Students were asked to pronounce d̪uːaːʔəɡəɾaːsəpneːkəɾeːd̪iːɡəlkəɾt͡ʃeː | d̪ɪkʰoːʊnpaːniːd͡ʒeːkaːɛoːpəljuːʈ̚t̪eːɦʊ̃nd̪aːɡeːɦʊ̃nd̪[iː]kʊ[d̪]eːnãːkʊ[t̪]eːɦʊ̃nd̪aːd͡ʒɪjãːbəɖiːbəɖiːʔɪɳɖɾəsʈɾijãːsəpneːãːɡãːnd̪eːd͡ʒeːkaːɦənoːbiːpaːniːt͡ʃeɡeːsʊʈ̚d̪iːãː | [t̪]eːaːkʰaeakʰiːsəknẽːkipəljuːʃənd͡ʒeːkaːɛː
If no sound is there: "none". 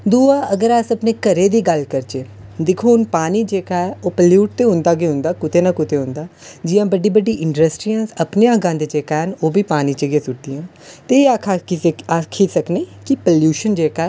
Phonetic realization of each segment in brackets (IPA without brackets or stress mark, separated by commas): aː, t̪, t̪, t̪